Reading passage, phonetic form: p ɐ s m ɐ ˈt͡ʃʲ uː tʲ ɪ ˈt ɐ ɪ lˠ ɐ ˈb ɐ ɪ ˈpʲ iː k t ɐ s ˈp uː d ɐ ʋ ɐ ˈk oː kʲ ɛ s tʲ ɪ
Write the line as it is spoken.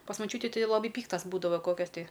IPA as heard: p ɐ s m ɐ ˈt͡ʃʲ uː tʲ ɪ ˈt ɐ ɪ lˠ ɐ ˈb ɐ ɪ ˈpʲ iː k t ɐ s ˈb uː d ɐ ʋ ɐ ˈk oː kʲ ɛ s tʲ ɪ